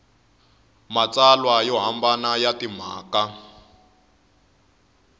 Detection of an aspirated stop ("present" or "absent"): absent